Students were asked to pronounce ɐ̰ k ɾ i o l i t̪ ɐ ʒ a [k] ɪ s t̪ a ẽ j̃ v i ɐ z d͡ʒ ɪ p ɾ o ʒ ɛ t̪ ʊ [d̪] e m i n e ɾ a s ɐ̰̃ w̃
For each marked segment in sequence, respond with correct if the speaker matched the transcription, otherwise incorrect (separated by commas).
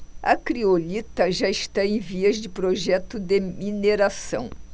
incorrect, correct